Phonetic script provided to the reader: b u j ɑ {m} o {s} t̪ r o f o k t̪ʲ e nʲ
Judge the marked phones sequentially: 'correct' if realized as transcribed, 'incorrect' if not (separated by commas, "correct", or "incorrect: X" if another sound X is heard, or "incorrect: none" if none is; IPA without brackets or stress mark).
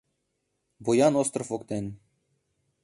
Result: incorrect: n, correct